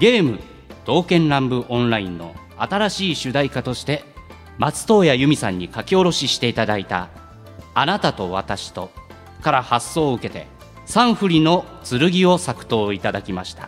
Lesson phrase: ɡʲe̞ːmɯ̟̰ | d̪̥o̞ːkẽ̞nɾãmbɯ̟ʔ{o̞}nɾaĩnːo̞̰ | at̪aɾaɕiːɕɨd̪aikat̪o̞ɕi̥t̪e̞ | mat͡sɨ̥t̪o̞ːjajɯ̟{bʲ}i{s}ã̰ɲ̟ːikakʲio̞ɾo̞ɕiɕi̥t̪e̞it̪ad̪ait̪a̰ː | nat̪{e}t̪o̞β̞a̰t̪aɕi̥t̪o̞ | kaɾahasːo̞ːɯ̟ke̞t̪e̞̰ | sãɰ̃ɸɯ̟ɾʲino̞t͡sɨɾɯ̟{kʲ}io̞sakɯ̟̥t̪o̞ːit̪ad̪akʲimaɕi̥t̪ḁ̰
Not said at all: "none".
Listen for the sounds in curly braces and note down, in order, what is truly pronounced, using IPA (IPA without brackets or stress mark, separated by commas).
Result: õ̞, mʲ, s, a, ɡʲ